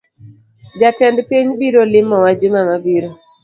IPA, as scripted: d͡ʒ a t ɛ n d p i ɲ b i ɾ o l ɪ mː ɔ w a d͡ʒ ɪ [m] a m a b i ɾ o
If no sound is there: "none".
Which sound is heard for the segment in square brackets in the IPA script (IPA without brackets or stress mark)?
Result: m